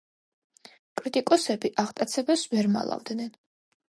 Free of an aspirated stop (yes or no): yes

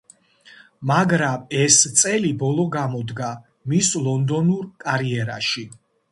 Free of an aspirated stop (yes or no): yes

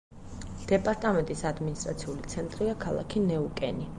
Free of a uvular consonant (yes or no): yes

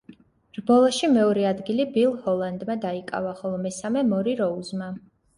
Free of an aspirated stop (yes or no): yes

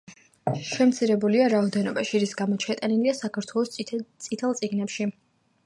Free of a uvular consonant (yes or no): yes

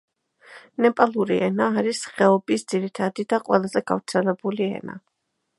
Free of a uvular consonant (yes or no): no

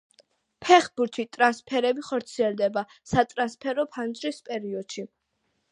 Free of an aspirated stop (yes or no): no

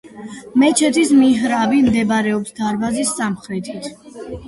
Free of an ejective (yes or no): yes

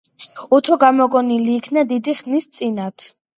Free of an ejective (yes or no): no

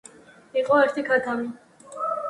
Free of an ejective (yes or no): no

